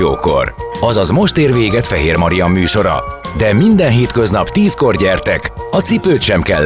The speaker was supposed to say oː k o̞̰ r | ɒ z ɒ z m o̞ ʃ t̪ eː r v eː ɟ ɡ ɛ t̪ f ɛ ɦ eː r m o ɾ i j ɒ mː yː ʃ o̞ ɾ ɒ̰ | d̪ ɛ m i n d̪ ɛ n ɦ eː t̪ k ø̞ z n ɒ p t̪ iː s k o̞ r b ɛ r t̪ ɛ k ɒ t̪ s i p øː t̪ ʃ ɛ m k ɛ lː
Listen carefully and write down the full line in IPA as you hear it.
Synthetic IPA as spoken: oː k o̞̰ r | ɒ z ɒ z m o̞ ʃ t̪ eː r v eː ɡ ɛ t̪ f ɛ ɦ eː r m ɒ ɾ i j ɒ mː yː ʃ o̞ ɾ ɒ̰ | d̪ ɛ m i n d̪ ɛ n ɦ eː t̪ k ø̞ z n ɒ p t̪ iː s k o̞ r ɟ ɛ r t̪ ɛ k ɒ t̪ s i p øː t̪ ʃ ɛ m k ɛ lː